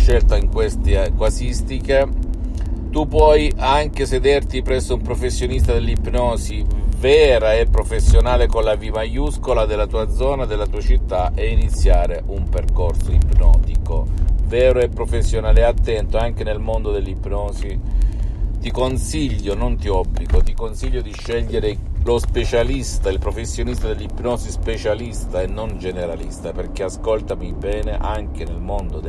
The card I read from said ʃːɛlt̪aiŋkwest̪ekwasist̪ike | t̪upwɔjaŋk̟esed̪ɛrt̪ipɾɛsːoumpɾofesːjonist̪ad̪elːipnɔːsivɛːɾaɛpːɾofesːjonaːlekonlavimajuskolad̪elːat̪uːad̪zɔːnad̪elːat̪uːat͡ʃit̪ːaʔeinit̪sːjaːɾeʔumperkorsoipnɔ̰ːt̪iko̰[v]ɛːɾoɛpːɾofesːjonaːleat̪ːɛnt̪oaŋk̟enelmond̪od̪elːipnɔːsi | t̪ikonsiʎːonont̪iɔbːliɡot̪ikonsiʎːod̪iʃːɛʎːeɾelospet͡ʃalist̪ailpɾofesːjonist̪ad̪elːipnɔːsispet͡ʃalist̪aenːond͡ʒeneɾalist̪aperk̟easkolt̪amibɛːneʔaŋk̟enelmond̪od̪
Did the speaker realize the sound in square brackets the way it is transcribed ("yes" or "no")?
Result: yes